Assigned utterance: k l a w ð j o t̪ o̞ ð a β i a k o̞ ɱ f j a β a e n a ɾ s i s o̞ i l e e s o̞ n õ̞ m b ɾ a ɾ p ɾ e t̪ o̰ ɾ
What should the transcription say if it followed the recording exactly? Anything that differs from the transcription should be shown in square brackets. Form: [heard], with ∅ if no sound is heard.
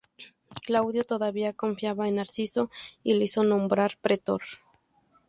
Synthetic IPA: k l a w ð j o t̪ o̞ ð a β i a k o̞ ɱ f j a β a e n a ɾ s i s o̞ i l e [i] s o̞ n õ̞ m b ɾ a ɾ p ɾ e t̪ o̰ ɾ